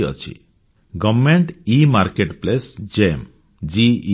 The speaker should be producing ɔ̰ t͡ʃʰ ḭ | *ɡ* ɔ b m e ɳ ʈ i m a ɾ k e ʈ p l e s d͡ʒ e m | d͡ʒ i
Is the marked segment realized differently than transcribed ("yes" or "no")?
no